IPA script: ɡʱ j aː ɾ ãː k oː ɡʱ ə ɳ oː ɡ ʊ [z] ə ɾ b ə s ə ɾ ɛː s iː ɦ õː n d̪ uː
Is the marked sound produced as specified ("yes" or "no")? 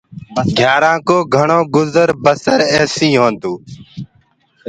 yes